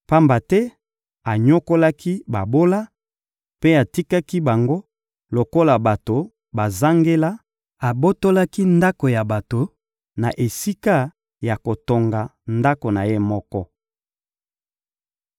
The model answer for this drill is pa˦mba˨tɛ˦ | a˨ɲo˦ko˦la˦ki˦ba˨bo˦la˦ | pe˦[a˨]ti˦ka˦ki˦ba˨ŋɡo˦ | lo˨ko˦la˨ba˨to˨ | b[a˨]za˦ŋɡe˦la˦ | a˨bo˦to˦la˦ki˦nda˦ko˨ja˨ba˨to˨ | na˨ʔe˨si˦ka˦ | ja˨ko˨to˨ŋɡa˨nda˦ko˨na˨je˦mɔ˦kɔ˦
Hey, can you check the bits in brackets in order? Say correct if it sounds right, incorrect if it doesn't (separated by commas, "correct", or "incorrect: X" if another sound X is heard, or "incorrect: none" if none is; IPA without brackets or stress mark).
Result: correct, correct